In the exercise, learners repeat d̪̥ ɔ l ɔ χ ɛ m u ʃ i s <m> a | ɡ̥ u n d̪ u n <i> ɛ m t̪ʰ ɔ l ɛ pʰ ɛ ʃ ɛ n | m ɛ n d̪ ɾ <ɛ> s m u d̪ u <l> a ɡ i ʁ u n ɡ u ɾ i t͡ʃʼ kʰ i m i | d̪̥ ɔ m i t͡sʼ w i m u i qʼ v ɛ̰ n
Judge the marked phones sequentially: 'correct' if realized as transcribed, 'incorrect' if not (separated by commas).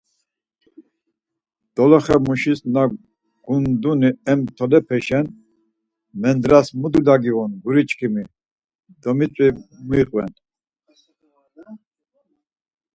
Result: incorrect, correct, incorrect, correct